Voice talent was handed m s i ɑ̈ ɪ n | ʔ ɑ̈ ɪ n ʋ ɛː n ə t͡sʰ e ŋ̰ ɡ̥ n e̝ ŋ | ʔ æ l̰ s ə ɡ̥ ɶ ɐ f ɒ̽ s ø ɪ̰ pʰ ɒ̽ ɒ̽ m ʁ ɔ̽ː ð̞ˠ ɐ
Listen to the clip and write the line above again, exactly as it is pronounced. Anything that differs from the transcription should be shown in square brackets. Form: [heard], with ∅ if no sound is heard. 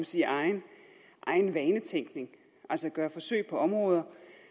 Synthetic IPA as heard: m s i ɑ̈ ɪ n | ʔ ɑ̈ ɪ n ʋ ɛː n ə t͡sʰ e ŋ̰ ɡ̥ n e̝ ŋ | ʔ æ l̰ s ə ɡ̥ ɶ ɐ f ɒ̽ s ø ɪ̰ pʰ ɒ̽ ɒ̽ m ʁ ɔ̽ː ð̞ˠ ɐ

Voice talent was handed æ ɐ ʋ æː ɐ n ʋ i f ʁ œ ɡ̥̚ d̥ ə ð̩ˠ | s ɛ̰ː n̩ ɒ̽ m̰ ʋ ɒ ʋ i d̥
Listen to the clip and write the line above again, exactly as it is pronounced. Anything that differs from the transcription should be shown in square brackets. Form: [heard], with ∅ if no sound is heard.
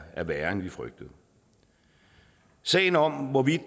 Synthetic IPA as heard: æ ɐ ʋ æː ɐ n ʋ i f ʁ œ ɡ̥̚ d̥ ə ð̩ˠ | s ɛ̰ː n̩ ɒ̽ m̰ ʋ ɒ ʋ i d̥

